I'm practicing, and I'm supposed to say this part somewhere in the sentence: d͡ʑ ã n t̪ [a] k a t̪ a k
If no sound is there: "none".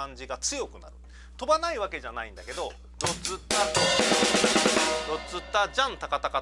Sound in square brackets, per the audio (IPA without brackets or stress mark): a